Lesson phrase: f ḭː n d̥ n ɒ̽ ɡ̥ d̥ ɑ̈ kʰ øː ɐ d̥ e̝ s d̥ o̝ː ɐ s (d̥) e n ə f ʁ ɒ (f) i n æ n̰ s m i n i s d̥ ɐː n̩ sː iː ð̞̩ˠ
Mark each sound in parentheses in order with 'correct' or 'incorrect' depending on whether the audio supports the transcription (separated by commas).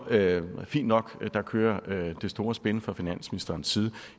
incorrect, correct